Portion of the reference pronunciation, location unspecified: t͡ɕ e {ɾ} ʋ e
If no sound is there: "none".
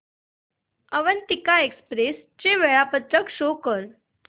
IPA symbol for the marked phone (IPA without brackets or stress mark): none